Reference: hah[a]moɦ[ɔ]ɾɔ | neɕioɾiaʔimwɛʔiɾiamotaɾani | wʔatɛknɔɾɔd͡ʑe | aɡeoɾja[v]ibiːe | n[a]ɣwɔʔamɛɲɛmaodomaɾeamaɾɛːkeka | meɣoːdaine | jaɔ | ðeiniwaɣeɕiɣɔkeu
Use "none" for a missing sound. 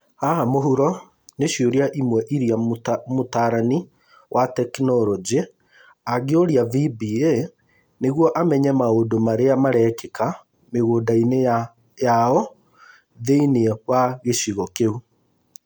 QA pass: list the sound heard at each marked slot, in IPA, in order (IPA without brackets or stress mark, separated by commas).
a, u, v, e